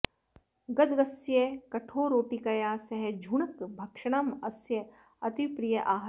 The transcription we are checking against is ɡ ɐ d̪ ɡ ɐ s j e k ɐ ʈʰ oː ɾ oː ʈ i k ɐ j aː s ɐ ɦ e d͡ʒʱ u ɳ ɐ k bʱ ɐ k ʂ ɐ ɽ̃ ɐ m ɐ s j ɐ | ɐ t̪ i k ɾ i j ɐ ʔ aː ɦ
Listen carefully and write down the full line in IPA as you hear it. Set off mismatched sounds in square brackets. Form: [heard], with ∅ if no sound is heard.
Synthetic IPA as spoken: ɡ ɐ d̪ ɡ ɐ s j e k ɐ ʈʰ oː ɾ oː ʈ i k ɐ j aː s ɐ ɦ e d͡ʒʱ u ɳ ɐ k bʱ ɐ k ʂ ɐ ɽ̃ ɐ m ɐ s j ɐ | ɐ t̪ i [p] ɾ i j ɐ ʔ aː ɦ